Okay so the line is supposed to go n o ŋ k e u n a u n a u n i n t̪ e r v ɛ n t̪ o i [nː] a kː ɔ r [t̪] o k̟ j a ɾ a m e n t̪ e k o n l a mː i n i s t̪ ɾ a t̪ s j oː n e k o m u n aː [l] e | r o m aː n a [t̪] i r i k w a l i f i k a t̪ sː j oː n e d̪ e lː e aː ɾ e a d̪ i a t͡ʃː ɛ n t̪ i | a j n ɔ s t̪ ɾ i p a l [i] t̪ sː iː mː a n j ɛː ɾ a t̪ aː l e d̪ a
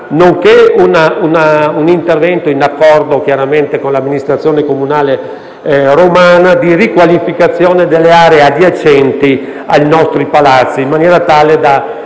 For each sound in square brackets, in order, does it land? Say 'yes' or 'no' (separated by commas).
no, no, yes, no, no